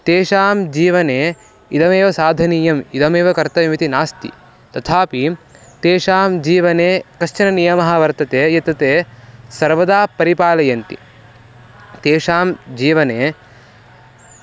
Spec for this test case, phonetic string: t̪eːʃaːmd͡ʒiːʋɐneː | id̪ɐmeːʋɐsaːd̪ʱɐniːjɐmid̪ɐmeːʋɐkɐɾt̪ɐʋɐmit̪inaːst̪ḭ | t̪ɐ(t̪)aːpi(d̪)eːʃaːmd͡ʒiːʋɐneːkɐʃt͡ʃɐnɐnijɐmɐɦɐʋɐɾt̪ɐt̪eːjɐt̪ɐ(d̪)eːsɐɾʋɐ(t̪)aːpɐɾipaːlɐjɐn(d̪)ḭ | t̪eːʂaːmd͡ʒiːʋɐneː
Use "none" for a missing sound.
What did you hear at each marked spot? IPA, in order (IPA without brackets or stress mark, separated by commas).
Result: t̪ʰ, t̪, t̪, d̪, t̪